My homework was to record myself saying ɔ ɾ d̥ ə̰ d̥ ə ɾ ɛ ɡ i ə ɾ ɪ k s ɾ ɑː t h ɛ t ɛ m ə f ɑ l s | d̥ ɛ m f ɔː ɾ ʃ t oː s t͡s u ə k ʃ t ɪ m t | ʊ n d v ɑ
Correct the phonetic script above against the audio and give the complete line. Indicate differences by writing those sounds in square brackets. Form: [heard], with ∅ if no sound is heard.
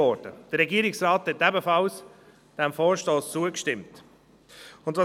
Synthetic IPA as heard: ɔ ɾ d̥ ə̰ d̥ ə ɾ ɛ ɡ i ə ɾ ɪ k s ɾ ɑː t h ɛ t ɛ [b] ə f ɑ l s | d̥ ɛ m f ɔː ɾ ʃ t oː s t͡s u ə k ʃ t ɪ m t | ʊ n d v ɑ

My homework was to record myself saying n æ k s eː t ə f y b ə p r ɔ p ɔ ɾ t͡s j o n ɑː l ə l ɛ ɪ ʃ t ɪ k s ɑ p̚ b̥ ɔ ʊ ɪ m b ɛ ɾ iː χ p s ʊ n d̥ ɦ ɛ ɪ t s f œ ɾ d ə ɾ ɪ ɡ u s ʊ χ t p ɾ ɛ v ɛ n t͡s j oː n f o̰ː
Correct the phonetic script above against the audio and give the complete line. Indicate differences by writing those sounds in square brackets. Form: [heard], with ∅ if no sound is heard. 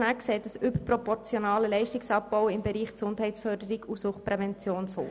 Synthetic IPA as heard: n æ k s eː t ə [s] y b ə p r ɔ p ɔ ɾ t͡s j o n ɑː l ə l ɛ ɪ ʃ t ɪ k s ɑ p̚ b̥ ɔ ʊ ɪ m b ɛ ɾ iː χ [k] s ʊ n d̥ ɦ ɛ ɪ t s f œ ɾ d ə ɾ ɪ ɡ u s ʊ χ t p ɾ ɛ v ɛ n t͡s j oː n f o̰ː

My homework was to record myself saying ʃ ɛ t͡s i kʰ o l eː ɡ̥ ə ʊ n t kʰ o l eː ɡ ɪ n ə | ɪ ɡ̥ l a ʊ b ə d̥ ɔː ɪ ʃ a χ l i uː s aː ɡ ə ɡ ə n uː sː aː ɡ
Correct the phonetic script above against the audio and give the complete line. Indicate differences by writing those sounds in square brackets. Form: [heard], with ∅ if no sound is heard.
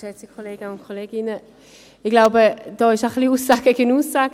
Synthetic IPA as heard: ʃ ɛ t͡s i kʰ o l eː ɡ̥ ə ʊ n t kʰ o l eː ɡ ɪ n ə | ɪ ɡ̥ l a ʊ b ə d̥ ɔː ɪ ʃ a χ l i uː s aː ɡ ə ɡ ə n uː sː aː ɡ

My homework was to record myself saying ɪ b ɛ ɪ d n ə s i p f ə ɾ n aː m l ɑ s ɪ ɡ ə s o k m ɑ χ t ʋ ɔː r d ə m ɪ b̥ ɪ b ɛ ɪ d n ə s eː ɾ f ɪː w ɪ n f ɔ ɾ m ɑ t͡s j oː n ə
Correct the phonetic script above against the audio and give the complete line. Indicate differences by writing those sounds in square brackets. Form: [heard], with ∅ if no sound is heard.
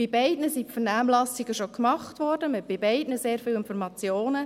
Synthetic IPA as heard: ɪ b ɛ ɪ d n ə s i p f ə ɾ n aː m l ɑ s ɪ ɡ ə [ʃ] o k m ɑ χ t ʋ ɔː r d ə m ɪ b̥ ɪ b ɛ ɪ d n ə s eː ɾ f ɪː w ɪ n f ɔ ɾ m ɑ t͡s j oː n ə

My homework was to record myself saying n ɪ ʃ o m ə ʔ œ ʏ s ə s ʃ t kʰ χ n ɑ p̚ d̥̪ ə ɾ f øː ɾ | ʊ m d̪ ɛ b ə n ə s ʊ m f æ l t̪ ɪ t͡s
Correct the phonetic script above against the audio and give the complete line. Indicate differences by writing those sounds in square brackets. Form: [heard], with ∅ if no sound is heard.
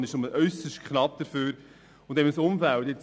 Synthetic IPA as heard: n ɪ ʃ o m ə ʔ œ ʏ s ə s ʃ t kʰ χ n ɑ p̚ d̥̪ ə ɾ f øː ɾ | ʊ [n] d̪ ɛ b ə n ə s ʊ m f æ l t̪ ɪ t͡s

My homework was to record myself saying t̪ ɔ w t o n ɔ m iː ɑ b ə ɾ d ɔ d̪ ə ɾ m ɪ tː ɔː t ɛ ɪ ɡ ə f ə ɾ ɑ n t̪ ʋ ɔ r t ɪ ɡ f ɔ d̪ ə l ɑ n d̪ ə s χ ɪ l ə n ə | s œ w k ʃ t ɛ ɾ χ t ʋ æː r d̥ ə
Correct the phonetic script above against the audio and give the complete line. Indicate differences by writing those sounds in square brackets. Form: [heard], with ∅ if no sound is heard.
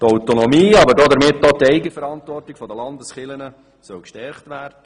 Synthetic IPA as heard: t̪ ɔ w t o n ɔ m iː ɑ b ə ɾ d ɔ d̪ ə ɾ m ɪ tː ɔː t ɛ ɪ ɡ ə f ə ɾ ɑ n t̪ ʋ ɔ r t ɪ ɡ f ɔ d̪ ə l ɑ n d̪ ə s χ ɪ l ə n ə | s œ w k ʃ t ɛ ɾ χ t ʋ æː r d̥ ə

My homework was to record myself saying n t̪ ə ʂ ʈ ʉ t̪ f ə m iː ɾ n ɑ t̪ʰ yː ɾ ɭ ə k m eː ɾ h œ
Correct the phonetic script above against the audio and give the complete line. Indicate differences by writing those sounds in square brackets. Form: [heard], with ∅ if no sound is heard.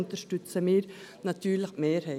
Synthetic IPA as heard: n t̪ ə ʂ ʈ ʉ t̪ [s] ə m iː ɾ n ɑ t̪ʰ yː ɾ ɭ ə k m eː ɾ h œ

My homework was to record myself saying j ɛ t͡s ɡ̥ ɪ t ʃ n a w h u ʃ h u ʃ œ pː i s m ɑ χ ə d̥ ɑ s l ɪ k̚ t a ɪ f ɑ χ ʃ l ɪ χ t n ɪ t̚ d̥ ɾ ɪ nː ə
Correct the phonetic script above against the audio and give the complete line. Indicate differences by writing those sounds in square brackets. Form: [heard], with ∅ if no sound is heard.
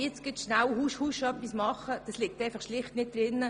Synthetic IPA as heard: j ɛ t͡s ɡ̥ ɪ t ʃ n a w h u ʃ h u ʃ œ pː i s m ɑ χ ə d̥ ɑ s l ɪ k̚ t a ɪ f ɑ χ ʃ l ɪ χ t n ɪ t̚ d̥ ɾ ɪ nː ə

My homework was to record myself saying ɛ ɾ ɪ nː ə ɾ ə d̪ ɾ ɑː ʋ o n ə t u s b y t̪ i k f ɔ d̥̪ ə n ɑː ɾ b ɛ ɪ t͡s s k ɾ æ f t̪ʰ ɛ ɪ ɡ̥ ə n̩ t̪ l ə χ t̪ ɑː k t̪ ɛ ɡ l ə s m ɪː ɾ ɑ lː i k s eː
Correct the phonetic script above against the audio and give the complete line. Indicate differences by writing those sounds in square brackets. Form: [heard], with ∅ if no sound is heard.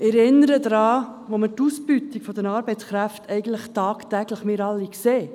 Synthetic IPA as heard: ɛ ɾ ɪ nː ə ɾ ə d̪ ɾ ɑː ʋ o [m] ə t u s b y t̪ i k f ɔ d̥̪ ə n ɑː ɾ b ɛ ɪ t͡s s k ɾ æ f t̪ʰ ɛ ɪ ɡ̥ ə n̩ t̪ l ə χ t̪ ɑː k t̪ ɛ ɡ l ə [χ] m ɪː ɾ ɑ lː i k s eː

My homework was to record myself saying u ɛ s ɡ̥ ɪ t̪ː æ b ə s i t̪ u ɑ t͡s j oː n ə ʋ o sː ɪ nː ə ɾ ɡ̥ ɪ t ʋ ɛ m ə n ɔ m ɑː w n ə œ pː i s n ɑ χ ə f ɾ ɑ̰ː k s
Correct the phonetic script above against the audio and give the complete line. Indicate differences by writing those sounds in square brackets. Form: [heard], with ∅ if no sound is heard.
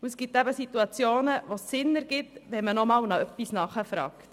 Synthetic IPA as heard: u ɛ s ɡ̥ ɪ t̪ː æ b ə s i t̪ u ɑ t͡s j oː n ə ʋ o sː ɪ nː ə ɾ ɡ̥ ɪ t ʋ ɛ m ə n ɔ m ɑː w n [ɑ] œ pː i s n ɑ χ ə f ɾ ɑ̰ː k [t]

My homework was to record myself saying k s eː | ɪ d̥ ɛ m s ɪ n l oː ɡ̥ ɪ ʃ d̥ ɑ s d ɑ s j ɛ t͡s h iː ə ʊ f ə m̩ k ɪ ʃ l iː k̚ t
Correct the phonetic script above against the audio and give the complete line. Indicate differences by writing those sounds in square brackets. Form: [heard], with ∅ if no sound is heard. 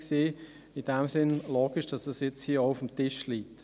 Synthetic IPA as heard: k s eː | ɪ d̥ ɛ m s ɪ n l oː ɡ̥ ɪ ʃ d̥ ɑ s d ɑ s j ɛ t͡s h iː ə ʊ f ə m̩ [t] ɪ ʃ l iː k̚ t

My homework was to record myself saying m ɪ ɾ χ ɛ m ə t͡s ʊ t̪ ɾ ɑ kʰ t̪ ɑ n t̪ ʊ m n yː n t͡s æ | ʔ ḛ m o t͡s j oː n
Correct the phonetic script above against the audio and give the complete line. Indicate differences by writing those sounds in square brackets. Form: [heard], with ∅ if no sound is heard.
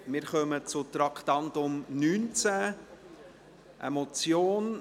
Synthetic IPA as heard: m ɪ ɾ χ [œ] m ə t͡s ʊ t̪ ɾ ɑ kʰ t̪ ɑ n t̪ ʊ m n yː n t͡s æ | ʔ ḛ m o t͡s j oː n

